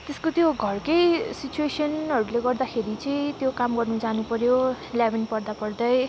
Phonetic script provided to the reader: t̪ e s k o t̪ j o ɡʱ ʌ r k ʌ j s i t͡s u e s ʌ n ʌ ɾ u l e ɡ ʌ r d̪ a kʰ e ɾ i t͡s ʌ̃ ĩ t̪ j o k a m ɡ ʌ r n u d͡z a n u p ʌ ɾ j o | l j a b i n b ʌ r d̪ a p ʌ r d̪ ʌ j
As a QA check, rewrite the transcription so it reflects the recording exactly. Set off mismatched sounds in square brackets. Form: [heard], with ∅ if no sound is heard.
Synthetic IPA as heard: t̪ e s k o t̪ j o ɡʱ ʌ r k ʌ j s i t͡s u e s ʌ n ʌ ɾ u l e ɡ ʌ r d̪ a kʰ e ɾ i t͡s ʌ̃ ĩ t̪ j o k a m ɡ ʌ r n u d͡z a n u p ʌ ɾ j o | l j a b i n [p] ʌ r d̪ a p ʌ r d̪ ʌ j